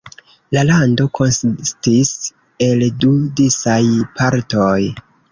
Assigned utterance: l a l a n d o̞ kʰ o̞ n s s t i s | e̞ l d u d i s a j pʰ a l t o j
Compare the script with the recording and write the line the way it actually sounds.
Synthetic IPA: l a l a n d o̞ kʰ o̞ n s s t i s | e̞ l d u d i s a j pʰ a ɾ t o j